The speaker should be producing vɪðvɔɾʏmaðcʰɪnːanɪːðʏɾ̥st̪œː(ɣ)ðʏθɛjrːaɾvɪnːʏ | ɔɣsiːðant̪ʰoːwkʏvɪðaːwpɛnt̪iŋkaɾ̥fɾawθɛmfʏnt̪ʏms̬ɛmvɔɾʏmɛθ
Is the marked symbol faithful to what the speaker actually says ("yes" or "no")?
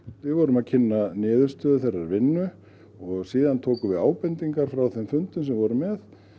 no